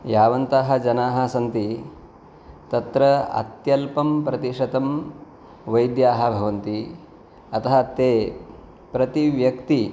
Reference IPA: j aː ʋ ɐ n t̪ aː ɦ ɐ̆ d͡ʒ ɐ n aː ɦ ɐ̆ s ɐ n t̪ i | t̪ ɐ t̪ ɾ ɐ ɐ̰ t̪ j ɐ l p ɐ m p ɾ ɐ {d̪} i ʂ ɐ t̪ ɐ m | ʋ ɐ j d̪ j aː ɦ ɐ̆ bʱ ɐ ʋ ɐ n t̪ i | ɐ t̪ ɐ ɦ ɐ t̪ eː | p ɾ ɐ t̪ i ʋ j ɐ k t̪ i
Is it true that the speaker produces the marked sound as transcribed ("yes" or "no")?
no